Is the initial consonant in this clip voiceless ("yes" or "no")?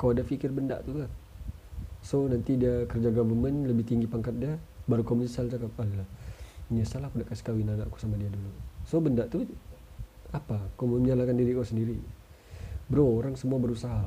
yes